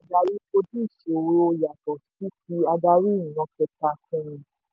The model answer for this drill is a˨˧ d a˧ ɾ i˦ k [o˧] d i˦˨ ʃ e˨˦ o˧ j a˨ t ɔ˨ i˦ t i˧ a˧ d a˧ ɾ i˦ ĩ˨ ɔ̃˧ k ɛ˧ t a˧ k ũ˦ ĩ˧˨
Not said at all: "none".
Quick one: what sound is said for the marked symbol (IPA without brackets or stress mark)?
o˧